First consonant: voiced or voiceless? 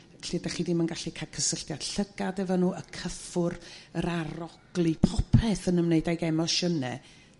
voiceless